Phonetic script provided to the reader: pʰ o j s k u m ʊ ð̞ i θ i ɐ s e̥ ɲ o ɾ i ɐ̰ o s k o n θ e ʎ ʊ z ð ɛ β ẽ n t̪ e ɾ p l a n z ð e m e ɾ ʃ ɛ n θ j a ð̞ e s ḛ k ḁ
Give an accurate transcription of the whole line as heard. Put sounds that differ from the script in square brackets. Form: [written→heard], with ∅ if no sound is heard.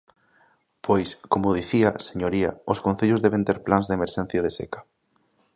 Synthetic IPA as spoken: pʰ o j s k [u→o] m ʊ ð̞ i θ i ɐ s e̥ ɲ o ɾ i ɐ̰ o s k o n θ e ʎ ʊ z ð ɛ β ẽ n t̪ e ɾ p l a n z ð e m e ɾ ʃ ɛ n θ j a ð̞ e s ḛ k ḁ